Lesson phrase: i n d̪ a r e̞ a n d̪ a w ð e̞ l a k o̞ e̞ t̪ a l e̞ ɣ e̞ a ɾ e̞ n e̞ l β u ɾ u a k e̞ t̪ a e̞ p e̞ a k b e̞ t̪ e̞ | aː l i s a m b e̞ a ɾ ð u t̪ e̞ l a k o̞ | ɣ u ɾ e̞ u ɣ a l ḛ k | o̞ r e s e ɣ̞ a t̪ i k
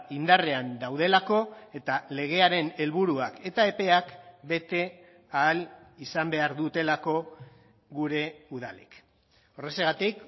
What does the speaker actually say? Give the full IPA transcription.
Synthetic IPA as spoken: i n d̪ a r e̞ a n d̪ a w ð e̞ l a k o̞ e̞ t̪ a l e̞ ɣ e̞ a ɾ e̞ n e̞ l β u ɾ u a k e̞ t̪ a e̞ p e̞ a k b e̞ t̪ e̞ | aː l i s a m b e̞ a ɾ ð u t̪ e̞ l a k o̞ | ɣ u ɾ e̞ u ð a l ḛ k | o̞ r e s e ɣ̞ a t̪ i k